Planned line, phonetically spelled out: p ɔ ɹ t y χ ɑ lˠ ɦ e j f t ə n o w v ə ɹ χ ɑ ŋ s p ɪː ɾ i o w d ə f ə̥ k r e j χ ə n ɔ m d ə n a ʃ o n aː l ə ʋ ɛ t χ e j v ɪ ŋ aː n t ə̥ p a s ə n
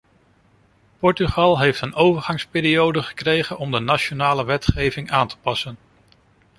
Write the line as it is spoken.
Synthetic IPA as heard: p ɔ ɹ t y χ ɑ lˠ ɦ e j f t ə n o w v ə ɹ χ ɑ ŋ s p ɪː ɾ i o w d ə χ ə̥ k r e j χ ə n ɔ m d ə n a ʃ o n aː l ə ʋ ɛ t χ e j v ɪ ŋ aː n t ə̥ p ɑ s ə n